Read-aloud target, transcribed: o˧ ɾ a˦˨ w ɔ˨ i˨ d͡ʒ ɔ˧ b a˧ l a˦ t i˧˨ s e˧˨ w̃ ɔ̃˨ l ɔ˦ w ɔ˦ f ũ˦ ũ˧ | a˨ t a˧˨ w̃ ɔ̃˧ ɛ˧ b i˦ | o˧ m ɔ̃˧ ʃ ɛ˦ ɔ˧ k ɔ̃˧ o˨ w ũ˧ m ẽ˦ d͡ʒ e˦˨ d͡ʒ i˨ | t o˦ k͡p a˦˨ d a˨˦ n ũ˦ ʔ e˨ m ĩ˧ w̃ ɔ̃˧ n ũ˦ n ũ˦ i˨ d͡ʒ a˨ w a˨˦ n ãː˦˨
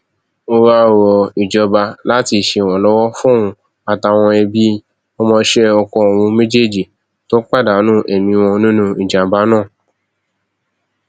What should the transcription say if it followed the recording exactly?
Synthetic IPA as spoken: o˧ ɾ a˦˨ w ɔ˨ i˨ d͡ʒ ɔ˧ b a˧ l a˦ t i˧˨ ʃ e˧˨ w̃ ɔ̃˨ l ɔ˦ w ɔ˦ f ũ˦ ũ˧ | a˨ t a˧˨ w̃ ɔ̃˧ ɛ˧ b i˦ | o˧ m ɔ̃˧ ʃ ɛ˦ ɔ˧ k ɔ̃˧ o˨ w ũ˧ m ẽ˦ d͡ʒ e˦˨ d͡ʒ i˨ | t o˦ k͡p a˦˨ d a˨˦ n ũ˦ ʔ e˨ m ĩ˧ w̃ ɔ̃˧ n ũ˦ n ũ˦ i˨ d͡ʒ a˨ b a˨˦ n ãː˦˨

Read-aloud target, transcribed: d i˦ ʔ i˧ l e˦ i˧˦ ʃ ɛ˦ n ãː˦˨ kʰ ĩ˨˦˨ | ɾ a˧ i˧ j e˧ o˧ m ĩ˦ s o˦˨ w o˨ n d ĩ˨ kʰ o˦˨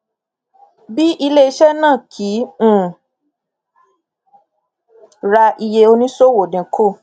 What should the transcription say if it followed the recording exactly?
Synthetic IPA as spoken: b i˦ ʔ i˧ l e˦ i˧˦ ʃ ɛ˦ n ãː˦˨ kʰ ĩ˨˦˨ | ɾ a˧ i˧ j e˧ o˧ n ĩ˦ s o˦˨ w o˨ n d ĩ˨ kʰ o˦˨

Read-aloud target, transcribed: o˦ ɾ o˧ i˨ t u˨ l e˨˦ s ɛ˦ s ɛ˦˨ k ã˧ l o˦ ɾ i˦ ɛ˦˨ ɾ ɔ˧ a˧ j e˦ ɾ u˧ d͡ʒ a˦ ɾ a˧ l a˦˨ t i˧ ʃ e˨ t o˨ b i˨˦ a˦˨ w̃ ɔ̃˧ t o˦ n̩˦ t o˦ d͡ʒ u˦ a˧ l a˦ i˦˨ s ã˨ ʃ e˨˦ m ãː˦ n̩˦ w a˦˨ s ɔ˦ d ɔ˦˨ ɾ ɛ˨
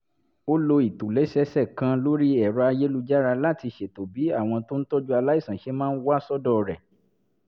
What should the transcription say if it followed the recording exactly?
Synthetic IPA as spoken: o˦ l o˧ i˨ t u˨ l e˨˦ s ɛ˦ s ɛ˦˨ k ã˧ l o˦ ɾ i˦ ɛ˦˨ ɾ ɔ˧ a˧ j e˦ l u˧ d͡ʒ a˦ ɾ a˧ l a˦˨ t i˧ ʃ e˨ t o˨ b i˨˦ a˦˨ w̃ ɔ̃˧ t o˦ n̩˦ t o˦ d͡ʒ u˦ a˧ l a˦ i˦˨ s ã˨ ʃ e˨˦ m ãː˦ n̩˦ w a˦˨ s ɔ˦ d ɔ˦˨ ɾ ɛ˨

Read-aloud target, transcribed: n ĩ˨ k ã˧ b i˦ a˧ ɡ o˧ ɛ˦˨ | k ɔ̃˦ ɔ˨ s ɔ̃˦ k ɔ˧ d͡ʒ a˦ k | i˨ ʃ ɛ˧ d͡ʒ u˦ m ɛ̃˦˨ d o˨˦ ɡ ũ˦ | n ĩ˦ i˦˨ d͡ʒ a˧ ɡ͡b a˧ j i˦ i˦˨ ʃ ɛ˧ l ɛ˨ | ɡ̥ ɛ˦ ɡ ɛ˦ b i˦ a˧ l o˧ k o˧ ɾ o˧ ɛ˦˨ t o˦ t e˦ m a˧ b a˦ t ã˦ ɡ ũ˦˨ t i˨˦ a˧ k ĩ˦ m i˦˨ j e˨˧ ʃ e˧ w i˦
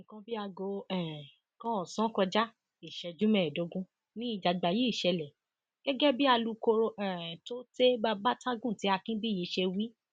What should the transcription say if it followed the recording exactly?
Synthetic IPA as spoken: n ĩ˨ k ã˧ b i˦ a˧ ɡ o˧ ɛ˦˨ | k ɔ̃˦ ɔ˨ s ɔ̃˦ k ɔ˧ d͡ʒ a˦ | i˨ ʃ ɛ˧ d͡ʒ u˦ m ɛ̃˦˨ d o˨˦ ɡ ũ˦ | n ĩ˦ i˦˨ d͡ʒ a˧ ɡ͡b a˧ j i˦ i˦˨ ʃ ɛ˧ l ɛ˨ | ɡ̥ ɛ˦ ɡ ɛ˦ b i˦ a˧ l u˧ k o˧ ɾ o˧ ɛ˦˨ t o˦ t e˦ b a˧ b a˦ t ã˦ ɡ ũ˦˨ t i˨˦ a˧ k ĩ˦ b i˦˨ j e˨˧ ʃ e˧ w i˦

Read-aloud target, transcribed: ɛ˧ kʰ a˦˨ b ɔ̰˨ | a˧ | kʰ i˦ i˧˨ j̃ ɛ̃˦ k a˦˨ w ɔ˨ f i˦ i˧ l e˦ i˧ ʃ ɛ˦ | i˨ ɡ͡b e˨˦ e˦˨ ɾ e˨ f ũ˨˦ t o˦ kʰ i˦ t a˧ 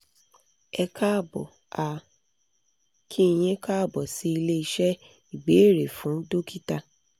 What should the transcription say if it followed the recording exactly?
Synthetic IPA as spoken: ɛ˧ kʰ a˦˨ b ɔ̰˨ | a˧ | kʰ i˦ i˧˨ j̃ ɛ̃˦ k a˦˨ b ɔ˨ s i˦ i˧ l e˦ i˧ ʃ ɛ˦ | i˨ ɡ͡b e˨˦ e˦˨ ɾ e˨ f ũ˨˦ d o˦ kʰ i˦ t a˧

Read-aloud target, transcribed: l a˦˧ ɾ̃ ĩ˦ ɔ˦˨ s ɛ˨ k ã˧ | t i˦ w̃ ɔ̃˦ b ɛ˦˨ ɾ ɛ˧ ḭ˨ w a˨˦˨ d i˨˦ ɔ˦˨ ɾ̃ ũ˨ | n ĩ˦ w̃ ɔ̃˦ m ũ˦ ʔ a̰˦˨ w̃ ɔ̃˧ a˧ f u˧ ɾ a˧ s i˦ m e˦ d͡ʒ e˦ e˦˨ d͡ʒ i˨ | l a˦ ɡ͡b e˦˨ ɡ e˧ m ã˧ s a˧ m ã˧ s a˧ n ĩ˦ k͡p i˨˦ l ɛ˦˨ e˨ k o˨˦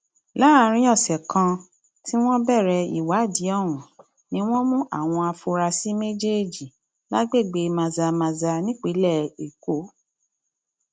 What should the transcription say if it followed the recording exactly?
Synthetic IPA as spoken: l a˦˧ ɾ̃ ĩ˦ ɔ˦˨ s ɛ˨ k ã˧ | t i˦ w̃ ɔ̃˦ b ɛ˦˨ ɾ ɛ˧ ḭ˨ w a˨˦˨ d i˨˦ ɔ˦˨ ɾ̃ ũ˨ | n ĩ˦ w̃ ɔ̃˦ m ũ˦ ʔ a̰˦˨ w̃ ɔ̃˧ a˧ f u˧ ɾ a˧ s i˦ m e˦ d͡ʒ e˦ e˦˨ d͡ʒ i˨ | l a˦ ɡ͡b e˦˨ ɡ͡b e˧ m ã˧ z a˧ m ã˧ z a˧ n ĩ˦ k͡p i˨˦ l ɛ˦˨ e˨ k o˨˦

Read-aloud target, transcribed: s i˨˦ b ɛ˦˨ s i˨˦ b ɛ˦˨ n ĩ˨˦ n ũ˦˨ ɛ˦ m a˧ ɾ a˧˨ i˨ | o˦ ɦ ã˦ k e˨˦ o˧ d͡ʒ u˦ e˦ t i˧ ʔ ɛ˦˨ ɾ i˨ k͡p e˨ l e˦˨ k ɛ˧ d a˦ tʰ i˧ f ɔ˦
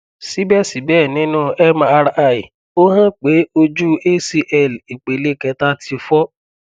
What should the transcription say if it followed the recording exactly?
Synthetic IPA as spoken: s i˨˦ b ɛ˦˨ s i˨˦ b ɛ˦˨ n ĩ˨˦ n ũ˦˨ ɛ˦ m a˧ ɾ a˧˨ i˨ | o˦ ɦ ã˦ k͡p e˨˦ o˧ d͡ʒ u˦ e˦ s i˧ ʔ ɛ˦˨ l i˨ k͡p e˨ l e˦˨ k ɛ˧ t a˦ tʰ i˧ f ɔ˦

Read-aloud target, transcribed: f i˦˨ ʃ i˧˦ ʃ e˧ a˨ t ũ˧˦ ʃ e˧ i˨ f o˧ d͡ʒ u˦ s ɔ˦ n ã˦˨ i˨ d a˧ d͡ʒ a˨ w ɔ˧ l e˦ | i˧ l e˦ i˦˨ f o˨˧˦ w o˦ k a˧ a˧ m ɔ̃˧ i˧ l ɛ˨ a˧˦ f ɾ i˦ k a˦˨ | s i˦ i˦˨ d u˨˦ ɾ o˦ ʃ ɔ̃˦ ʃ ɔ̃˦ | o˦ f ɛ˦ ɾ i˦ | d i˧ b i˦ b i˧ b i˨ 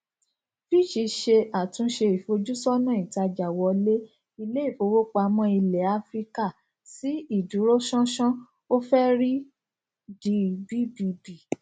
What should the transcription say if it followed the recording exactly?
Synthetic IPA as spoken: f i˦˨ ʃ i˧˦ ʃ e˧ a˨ t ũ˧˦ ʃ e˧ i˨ f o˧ d͡ʒ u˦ s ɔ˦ n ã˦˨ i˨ t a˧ d͡ʒ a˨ w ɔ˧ l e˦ | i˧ l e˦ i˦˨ f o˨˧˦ w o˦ k͡p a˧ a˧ m ɔ̃˧ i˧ l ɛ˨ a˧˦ f ɾ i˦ k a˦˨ | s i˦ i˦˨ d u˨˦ ɾ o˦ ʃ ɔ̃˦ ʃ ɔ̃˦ | o˦ f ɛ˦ ɾ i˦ | d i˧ b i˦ b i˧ b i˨

